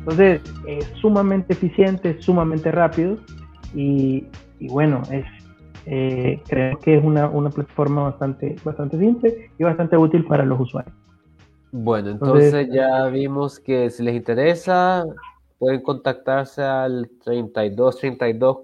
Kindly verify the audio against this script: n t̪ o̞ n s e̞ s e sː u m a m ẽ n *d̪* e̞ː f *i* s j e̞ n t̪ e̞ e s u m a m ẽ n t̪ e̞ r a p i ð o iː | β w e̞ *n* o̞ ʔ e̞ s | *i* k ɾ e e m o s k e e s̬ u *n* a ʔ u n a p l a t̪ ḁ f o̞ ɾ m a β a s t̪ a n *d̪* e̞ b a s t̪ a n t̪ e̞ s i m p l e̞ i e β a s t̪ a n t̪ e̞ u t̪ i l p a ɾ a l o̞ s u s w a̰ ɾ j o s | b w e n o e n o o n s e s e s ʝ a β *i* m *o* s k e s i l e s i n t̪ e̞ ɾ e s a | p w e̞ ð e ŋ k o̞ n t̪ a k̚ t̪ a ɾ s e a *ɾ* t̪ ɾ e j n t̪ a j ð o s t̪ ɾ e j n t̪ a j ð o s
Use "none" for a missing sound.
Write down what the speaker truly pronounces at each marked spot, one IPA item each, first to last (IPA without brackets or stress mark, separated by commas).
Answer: t̪, i, n, e, n, t̪, i, o, l